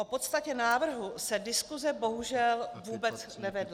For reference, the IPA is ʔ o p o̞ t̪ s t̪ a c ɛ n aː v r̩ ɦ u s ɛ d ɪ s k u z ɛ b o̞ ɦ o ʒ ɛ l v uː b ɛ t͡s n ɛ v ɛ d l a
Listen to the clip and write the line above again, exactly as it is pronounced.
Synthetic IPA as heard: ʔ o p o̞ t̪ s t̪ a c ɛ n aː v r̩ ɦ u s ɛ d ɪ s k u z ɛ b o̞ ɦ u ʒ ɛ l v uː b ɛ t͡s n ɛ v ɛ d l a